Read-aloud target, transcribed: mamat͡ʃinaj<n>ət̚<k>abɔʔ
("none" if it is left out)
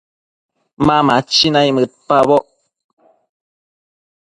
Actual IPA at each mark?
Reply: m, p

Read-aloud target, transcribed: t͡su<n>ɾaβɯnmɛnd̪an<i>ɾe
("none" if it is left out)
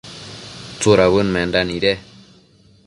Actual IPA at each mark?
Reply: none, i

